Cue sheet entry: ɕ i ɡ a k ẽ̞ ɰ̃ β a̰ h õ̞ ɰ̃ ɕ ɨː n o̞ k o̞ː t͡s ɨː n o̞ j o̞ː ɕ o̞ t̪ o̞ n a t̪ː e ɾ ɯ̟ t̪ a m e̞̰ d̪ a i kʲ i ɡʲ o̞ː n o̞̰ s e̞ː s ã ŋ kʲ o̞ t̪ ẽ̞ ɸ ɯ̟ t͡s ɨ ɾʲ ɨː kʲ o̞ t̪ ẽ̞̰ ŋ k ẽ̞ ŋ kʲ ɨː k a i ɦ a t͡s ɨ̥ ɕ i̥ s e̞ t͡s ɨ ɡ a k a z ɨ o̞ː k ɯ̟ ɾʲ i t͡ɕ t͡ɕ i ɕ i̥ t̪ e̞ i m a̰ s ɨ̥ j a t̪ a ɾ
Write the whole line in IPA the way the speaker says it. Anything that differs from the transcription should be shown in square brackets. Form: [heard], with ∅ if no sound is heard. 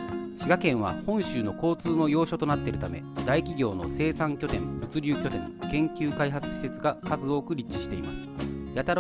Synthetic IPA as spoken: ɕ i ɡ a k ẽ̞ ɰ̃ β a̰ h õ̞ ɰ̃ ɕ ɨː n o̞ k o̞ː t͡s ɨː n o̞ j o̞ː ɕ o̞ t̪ o̞ n a t̪ː e ɾ ɯ̟ t̪ a m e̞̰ d̪ a i kʲ i ɡʲ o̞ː n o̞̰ s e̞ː s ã ŋ kʲ o̞ t̪ ẽ̞ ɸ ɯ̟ t͡s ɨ ɾʲ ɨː kʲ o̞ t̪ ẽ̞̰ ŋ k ẽ̞ ŋ kʲ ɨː k a i ɦ a t͡s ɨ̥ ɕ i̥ s e̞ t͡s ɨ ɡ a k a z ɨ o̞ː k ɯ̟ ɾʲ i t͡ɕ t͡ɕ i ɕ i̥ t̪ e̞ i m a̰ s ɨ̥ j a t̪ a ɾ